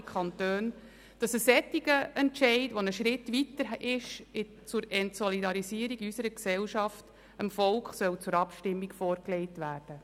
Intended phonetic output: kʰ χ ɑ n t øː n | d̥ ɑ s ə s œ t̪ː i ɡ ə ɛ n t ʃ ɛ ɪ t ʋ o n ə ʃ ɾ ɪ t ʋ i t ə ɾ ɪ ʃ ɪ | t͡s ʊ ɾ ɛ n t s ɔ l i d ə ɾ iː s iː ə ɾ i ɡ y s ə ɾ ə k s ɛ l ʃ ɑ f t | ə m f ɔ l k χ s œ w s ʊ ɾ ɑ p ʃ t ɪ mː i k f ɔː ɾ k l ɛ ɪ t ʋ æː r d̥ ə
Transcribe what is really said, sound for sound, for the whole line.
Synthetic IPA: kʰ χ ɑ n t øː n | d̥ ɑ s ə s ɛ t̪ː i ɡ ə ɛ n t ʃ ɛ ɪ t ʋ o n ə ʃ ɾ ɪ t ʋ i t ə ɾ ɪ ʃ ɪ | t͡s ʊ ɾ ɛ n t s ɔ l i d ɑ ɾ i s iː ə ɾ i ɡ y s ə ɾ ə k s ɛ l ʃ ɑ f t | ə m f ɔ l k χ s œ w t͡s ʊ ɾ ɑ p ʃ t ɪ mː i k f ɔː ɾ k l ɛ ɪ t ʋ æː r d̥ ə